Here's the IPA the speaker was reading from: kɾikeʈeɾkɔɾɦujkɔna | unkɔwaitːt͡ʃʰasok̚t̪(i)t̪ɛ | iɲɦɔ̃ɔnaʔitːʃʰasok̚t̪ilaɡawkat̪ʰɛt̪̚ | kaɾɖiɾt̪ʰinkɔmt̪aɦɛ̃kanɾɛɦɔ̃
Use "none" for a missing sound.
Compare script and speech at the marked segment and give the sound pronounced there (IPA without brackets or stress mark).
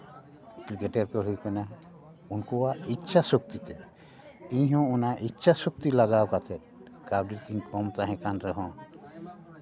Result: i